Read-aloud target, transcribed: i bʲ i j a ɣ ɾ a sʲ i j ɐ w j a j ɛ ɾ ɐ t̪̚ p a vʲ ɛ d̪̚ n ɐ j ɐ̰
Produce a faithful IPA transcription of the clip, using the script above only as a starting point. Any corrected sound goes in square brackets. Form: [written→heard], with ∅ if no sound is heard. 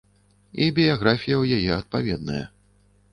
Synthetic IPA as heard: i bʲ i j a ɣ ɾ a [sʲ→fʲ] i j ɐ w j a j ɛ [ɾ→∅] ɐ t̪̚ p a vʲ ɛ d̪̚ n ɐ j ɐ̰